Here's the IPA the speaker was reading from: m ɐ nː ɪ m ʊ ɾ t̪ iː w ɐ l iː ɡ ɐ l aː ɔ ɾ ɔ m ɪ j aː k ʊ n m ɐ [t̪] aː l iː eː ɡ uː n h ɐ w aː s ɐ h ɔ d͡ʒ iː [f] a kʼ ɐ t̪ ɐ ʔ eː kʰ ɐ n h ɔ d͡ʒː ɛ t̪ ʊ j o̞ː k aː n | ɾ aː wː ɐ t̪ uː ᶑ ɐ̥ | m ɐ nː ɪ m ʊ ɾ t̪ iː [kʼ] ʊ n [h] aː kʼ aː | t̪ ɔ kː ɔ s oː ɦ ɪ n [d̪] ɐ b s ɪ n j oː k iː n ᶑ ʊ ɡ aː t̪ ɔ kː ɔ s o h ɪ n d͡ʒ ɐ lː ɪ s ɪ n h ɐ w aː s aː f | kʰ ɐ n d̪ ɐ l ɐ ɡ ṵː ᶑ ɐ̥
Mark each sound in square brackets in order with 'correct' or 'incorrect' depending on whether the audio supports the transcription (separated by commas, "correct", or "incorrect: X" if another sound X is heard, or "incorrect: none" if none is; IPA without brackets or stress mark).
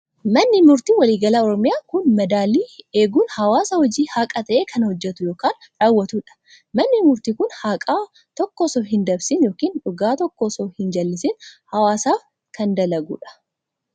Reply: incorrect: d̪, incorrect: h, incorrect: k, correct, correct